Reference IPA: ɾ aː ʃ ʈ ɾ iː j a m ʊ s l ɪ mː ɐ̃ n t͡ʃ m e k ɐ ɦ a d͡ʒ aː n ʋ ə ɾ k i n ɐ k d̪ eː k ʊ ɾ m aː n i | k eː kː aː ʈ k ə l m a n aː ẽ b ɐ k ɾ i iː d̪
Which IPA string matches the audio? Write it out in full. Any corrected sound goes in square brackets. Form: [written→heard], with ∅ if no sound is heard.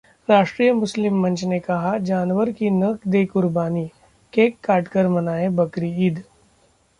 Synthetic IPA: ɾ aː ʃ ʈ ɾ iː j [a→ə] m ʊ s l ɪ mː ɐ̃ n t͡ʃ [m→n] e k ɐ ɦ a d͡ʒ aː n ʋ ə ɾ k i n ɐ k d̪ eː k ʊ ɾ [m→b] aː n i | k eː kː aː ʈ k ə [l→ɾ] m [a→ɐ] n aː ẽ b ɐ k ɾ i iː d̪

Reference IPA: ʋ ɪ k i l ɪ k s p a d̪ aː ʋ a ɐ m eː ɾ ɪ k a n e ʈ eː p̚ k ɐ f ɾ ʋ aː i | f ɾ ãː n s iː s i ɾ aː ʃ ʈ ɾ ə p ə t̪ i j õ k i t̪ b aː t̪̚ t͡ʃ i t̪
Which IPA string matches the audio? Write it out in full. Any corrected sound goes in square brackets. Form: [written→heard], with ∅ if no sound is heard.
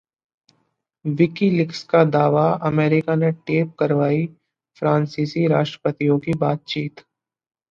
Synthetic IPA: ʋ ɪ k i l ɪ k s [p→k] a d̪ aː ʋ a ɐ m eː ɾ ɪ k a n e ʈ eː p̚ k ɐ [f→∅] ɾ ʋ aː i | f ɾ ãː n s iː s i ɾ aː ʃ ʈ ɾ ə p ə t̪ i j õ k i [t̪→∅] b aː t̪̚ t͡ʃ [i→iː] t̪

